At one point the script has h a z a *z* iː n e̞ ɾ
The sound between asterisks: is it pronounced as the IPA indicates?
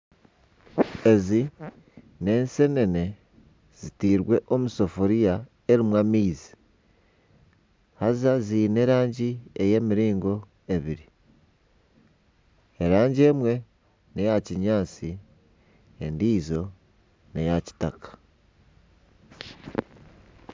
yes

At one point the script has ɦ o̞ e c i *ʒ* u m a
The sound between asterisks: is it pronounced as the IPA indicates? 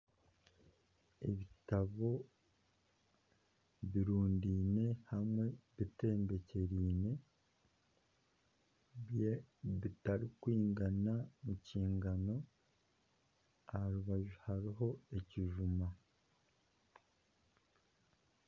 yes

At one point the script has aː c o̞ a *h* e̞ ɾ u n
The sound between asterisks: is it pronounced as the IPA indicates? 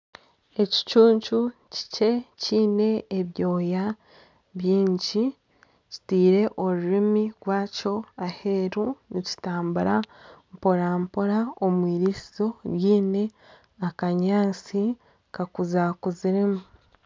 yes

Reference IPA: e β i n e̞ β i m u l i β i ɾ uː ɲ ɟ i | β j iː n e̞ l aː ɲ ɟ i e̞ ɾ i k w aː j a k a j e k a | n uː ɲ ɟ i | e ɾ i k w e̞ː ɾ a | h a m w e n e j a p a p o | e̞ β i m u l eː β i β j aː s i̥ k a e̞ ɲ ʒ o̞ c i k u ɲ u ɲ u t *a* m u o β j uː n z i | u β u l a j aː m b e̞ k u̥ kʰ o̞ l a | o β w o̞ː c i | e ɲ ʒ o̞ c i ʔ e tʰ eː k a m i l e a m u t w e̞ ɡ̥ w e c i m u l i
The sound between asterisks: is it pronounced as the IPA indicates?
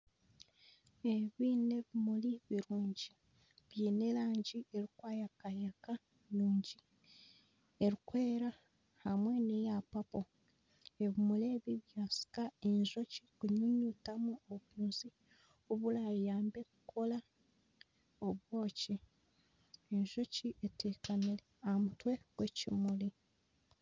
yes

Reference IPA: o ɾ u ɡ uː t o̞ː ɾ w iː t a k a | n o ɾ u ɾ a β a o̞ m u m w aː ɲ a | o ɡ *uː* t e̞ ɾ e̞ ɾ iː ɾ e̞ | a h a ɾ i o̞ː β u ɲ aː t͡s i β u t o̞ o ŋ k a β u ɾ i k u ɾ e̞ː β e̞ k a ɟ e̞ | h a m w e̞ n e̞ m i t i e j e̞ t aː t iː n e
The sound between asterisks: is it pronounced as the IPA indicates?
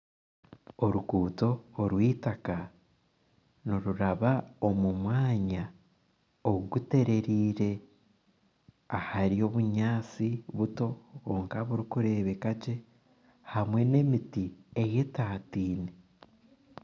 no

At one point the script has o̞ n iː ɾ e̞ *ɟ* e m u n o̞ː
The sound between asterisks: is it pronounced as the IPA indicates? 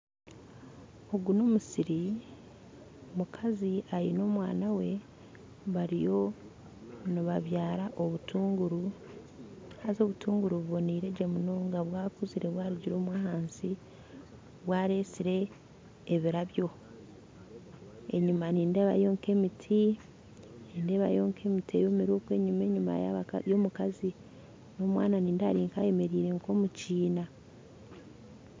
yes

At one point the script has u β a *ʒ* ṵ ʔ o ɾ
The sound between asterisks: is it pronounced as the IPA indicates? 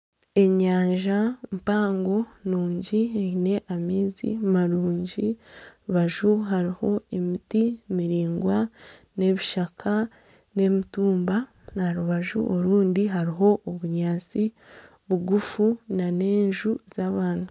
yes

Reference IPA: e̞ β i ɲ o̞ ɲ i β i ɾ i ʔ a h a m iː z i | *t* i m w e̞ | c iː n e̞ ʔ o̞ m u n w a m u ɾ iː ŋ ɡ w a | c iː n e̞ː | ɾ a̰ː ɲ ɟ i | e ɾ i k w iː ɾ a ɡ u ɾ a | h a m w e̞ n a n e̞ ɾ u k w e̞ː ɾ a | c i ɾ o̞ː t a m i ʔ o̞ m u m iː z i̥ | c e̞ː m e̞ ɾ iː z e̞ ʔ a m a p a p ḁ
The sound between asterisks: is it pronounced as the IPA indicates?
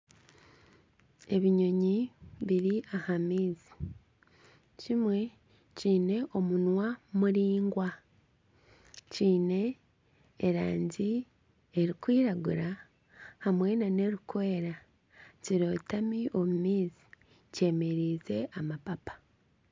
no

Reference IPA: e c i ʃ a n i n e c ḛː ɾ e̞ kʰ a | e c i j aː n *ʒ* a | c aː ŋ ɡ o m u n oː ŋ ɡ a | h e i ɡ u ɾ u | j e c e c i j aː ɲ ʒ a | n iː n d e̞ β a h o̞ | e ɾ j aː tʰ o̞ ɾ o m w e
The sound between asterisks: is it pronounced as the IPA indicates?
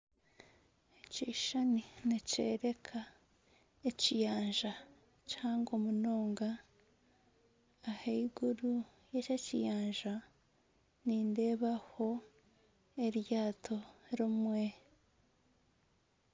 yes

